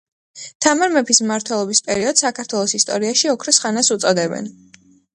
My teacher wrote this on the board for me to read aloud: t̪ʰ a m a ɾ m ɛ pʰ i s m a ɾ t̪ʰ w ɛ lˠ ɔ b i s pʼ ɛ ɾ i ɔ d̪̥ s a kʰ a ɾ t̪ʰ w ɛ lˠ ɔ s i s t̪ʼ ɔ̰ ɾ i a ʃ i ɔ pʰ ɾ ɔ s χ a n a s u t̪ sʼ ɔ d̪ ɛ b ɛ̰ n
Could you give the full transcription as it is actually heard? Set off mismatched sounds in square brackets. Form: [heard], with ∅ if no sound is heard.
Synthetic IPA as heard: t̪ʰ a m a ɾ m ɛ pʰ i s m a ɾ t̪ʰ w ɛ lˠ ɔ b i s pʼ ɛ ɾ i ɔ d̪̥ s a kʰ a ɾ t̪ʰ w ɛ lˠ ɔ s i s t̪ʼ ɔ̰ ɾ i a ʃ i ɔ [kʰ] ɾ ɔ s χ a n a s u t̪ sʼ ɔ d̪ ɛ b ɛ̰ n